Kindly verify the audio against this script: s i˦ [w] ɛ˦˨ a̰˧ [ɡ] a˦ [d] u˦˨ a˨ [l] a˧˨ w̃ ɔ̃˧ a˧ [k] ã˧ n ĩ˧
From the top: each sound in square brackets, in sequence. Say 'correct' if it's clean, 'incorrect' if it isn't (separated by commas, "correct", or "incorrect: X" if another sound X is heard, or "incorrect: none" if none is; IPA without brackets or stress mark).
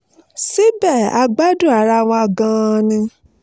incorrect: b, incorrect: ɡ͡b, correct, incorrect: ɾ, incorrect: ɡ